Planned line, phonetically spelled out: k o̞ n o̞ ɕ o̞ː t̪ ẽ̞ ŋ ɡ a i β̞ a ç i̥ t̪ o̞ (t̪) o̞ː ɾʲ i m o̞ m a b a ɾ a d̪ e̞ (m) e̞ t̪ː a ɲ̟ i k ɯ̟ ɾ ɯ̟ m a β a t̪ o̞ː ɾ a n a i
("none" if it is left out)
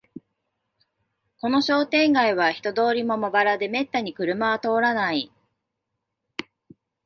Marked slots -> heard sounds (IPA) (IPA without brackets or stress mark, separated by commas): d̪, m